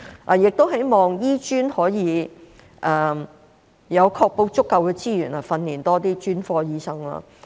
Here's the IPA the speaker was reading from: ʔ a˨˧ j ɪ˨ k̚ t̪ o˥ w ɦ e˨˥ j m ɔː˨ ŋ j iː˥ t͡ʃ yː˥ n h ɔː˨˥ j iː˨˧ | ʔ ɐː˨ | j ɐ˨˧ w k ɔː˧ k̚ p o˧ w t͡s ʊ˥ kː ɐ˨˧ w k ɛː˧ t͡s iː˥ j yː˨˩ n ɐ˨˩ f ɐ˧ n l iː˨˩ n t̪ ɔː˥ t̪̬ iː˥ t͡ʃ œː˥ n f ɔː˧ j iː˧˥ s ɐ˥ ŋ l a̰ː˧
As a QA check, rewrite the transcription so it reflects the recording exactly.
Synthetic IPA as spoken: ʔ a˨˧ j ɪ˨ k̚ t̪ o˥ w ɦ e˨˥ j m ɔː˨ ŋ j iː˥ t͡ʃ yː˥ n h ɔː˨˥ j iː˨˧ | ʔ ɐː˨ | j ɐ˨˧ w kʰ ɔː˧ k̚ p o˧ w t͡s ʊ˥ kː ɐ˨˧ w k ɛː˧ t͡s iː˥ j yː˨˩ n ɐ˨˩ f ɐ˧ n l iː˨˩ n t̪ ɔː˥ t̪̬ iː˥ t͡ʃ yː˥ n f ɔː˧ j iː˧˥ s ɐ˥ ŋ l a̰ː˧